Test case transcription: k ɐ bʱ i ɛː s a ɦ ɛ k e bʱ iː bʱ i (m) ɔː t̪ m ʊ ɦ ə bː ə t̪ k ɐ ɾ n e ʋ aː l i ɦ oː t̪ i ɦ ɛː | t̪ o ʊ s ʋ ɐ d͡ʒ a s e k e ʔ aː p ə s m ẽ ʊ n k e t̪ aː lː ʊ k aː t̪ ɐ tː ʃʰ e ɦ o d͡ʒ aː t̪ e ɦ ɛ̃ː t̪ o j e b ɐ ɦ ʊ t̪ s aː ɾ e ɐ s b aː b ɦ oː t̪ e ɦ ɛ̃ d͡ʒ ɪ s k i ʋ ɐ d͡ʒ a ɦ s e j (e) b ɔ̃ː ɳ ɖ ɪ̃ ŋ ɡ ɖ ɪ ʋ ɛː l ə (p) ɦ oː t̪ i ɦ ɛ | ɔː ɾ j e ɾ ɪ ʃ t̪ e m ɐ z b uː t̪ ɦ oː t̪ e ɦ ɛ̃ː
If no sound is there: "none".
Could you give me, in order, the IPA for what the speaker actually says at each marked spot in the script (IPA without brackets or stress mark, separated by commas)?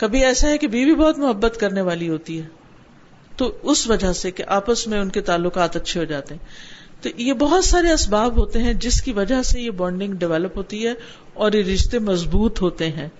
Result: b, e, p